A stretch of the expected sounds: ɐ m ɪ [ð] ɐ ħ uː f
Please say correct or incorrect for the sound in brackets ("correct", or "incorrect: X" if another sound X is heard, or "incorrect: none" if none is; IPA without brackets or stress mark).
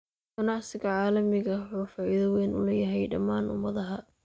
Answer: incorrect: ɣ